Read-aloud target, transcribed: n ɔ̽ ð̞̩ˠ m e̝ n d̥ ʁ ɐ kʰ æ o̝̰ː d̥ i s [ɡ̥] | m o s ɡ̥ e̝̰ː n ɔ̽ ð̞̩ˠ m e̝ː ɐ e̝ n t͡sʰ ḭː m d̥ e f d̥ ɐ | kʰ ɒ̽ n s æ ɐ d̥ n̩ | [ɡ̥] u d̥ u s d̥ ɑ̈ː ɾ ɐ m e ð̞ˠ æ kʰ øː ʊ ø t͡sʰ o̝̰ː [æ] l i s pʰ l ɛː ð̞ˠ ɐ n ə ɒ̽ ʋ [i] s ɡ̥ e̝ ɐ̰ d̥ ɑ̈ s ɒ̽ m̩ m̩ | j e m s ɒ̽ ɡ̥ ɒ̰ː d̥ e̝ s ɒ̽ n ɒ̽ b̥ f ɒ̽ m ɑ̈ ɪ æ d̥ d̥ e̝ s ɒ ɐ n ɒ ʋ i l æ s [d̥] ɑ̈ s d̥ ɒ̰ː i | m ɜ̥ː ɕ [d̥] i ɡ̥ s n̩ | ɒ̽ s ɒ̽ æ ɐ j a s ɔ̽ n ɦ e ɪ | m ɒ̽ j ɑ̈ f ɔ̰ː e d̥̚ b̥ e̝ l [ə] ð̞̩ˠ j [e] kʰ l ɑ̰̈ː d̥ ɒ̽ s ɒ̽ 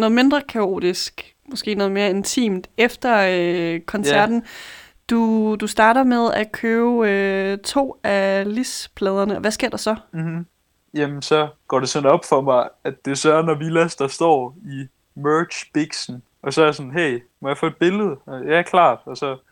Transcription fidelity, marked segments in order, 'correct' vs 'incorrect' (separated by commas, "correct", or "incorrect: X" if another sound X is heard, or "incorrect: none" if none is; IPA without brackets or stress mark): correct, incorrect: d̥, correct, incorrect: æ, correct, incorrect: b̥, correct, incorrect: æ